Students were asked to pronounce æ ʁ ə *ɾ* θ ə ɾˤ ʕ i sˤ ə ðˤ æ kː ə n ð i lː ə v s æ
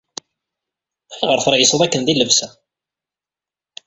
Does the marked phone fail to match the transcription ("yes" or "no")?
no